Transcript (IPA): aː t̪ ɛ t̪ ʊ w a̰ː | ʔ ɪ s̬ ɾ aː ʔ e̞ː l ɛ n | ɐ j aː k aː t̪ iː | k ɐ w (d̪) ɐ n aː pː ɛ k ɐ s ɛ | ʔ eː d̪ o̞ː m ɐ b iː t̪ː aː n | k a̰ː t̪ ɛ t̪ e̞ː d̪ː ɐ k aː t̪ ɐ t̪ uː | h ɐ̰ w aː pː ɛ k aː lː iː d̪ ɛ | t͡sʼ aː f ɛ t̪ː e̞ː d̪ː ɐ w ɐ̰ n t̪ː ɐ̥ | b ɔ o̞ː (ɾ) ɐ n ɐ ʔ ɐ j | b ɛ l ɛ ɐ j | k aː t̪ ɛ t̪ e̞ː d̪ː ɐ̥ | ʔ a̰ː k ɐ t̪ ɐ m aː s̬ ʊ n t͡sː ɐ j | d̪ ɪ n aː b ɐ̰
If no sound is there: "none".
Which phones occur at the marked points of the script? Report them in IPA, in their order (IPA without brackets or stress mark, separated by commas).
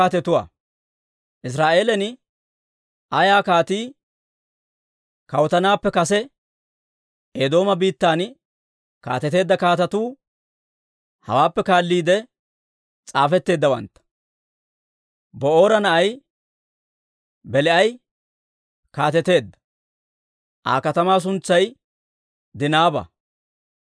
t̪, ɾ